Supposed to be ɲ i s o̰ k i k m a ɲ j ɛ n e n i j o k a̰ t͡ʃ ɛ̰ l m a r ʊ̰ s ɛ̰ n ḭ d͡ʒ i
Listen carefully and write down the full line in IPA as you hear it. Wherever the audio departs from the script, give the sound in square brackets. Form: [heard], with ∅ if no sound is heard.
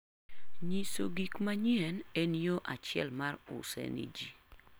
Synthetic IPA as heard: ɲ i s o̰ [ɡ] i k m a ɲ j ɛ n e n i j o [ʔ] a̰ t͡ʃ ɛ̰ l m a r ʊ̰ s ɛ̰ n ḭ d͡ʒ i